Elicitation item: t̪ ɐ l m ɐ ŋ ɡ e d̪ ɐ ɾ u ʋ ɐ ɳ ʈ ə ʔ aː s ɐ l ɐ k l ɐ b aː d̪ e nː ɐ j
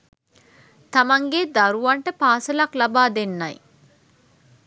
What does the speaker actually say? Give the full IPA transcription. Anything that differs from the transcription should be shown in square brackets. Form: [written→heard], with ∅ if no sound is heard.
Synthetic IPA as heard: t̪ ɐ [l→∅] m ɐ ŋ ɡ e d̪ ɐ ɾ u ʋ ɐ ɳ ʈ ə [ʔ→p] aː s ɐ l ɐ k l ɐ b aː d̪ e nː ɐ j